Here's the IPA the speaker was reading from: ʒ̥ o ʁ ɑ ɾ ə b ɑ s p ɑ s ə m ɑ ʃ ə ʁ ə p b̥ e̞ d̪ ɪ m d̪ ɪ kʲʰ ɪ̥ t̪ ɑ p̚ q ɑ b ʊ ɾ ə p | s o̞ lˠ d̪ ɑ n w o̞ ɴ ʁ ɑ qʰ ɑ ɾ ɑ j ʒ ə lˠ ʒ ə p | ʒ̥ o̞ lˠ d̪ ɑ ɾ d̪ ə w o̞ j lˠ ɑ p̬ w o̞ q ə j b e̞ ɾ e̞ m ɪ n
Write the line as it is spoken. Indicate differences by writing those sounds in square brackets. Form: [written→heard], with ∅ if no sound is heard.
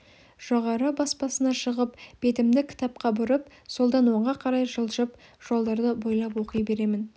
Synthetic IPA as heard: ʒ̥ o ʁ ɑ ɾ ə b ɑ s p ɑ s ə [m→n] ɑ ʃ ə ʁ ə p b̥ e̞ [d̪→t̪] ɪ m d̪ ɪ kʲʰ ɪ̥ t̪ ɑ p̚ q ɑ b ʊ ɾ ə p | s o̞ lˠ d̪ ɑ n w o̞ ɴ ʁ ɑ qʰ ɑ ɾ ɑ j ʒ ə lˠ ʒ ə p | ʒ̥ o̞ lˠ d̪ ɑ ɾ d̪ ə [w→b] o̞ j lˠ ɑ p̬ w o̞ q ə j b e̞ ɾ e̞ m ɪ n